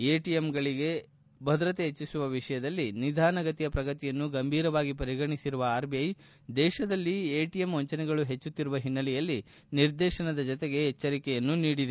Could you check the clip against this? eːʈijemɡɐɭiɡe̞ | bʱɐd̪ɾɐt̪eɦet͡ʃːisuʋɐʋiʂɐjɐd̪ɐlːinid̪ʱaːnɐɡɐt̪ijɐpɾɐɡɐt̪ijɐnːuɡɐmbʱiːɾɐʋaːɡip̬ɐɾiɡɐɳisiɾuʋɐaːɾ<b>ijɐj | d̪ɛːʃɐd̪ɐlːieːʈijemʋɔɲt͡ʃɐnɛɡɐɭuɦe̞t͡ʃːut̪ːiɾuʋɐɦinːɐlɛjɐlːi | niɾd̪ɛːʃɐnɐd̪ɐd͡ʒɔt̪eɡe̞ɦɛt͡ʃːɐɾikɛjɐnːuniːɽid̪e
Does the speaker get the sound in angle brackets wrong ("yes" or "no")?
no